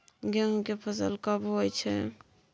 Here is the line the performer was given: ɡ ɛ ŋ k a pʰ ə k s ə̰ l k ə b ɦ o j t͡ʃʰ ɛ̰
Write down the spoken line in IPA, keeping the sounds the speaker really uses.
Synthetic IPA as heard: ɡ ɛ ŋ k e pʰ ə s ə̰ l k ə b ɦ o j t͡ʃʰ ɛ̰